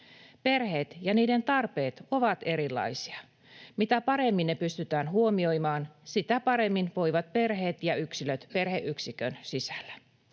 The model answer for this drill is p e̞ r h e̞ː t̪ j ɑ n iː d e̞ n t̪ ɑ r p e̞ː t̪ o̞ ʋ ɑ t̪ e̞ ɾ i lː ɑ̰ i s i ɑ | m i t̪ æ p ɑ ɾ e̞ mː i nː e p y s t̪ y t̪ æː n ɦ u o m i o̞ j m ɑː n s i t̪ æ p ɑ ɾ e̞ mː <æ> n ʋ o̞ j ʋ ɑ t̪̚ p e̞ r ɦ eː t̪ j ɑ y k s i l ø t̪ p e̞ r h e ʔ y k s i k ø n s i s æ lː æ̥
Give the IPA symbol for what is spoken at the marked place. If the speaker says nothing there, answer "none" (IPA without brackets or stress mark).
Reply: i